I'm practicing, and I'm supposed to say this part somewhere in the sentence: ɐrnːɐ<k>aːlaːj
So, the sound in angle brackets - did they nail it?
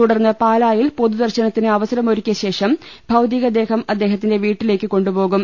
no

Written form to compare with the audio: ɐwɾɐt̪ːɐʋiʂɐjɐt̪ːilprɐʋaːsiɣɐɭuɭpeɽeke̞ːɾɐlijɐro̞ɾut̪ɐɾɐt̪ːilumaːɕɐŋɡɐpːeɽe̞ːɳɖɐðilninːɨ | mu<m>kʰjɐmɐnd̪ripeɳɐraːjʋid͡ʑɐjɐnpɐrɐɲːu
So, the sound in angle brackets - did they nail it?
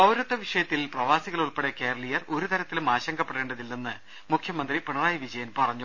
no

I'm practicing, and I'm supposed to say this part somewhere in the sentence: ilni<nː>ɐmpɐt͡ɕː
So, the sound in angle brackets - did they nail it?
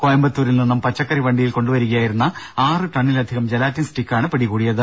yes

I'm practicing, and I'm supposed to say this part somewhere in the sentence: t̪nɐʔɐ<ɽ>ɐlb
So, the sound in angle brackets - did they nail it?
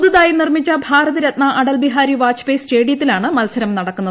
yes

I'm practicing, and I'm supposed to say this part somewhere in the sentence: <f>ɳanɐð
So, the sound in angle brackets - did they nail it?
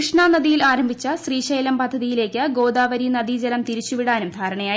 no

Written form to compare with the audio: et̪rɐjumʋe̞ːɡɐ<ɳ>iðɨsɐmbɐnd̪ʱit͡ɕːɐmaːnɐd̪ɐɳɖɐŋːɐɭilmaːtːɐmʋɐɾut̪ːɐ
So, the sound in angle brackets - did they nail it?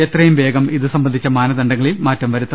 no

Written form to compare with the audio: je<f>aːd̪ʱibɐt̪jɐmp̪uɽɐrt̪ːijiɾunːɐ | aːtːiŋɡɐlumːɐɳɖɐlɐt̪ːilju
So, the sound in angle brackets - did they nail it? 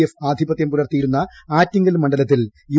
yes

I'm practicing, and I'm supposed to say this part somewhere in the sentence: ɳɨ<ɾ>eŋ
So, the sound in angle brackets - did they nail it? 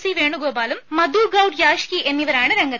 yes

